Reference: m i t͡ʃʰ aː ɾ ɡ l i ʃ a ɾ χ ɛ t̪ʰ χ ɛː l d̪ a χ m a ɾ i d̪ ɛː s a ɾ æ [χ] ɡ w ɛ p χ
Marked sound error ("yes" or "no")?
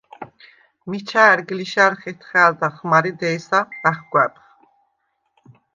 no